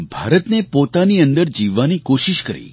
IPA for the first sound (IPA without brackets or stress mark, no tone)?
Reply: bʱ